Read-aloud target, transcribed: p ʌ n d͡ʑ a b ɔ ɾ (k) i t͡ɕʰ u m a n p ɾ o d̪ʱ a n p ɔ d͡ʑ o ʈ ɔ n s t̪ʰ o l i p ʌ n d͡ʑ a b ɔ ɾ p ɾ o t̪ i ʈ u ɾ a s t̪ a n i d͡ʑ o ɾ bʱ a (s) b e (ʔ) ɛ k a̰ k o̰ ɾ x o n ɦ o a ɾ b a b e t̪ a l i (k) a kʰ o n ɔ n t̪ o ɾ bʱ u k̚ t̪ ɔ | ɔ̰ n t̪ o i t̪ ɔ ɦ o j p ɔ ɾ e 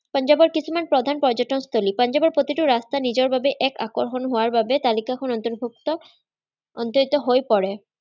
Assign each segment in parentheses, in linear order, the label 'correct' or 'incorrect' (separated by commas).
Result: correct, incorrect, correct, correct